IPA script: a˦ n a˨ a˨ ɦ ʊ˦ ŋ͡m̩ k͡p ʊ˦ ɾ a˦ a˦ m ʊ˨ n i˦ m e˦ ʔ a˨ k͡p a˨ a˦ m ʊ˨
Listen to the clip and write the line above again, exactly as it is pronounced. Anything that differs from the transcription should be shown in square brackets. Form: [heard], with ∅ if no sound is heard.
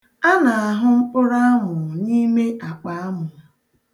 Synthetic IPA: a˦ n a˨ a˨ ɦ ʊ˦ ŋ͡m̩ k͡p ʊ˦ ɾ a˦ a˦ m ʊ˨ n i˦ m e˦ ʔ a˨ k͡p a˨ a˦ m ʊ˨